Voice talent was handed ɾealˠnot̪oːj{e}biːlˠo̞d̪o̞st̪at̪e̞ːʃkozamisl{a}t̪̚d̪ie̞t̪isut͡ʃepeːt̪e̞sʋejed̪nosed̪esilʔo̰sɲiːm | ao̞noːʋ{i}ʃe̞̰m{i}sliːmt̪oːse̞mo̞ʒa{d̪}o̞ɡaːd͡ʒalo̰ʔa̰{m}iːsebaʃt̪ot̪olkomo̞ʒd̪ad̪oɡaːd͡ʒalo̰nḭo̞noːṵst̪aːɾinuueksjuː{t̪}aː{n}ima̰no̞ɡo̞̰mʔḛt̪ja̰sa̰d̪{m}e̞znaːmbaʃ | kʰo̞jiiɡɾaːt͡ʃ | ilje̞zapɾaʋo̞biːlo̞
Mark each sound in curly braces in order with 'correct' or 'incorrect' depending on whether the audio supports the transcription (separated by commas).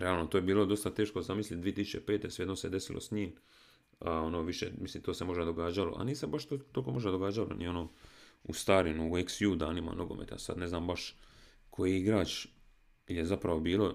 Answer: correct, incorrect, correct, correct, correct, incorrect, incorrect, correct, incorrect